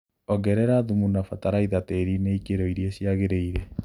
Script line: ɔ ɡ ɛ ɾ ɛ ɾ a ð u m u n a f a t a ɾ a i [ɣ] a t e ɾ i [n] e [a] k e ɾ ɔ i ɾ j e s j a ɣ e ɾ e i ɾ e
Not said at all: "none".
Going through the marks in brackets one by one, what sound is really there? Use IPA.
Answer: ð, n, i

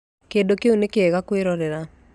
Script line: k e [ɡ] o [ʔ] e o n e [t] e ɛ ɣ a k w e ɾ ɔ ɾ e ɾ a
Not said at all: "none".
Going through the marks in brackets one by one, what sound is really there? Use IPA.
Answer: d, k, k

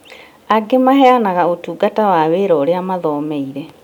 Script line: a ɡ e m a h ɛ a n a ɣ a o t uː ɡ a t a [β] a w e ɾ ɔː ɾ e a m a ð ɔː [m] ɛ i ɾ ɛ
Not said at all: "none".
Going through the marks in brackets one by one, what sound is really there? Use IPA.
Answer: w, m

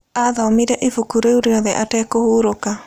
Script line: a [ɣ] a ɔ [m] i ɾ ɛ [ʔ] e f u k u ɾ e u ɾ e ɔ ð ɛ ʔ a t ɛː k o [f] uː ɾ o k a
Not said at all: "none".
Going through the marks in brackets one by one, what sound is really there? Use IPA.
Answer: ð, m, ʔ, h

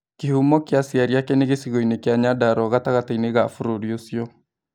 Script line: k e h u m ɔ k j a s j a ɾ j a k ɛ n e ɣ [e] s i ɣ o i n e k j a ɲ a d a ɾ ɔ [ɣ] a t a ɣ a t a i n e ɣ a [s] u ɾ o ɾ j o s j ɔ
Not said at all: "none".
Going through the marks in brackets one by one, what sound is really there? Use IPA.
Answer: e, ɣ, f

